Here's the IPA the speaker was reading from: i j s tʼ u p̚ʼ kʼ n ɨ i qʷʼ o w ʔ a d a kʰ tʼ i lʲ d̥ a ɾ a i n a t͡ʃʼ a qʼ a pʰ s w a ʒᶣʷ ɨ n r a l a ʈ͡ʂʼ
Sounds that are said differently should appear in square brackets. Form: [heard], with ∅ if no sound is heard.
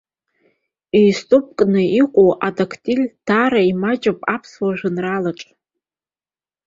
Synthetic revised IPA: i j s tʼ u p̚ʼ kʼ n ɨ i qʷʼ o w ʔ a d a kʰ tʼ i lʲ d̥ a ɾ a i [m] a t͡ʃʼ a [pʼ] a pʰ s w a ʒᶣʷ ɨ n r a l a ʈ͡ʂʼ